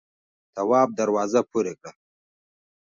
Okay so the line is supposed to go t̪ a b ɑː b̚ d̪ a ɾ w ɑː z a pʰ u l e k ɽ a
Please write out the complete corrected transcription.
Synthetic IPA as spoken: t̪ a w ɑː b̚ d̪ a ɾ w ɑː z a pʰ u ɾ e k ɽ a